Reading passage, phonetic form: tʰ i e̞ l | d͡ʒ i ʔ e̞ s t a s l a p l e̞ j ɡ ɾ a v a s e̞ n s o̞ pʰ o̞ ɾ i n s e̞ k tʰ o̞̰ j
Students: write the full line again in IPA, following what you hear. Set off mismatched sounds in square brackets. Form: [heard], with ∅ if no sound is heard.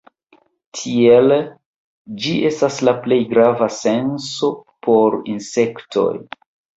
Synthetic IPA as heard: tʰ i e̞ l | d͡ʒ i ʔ e̞ s t a s l a p l e̞ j ɡ ɾ a v a s e̞ n s o̞ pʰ o̞ ɾ i n s e̞ k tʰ o̞̰ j